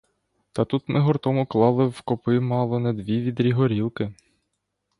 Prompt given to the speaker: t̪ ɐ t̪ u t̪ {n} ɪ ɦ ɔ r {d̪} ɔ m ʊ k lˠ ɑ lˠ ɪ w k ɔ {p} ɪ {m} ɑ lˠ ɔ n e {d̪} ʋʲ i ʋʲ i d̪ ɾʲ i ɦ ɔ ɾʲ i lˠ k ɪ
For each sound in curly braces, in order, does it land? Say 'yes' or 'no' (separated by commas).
no, no, yes, yes, yes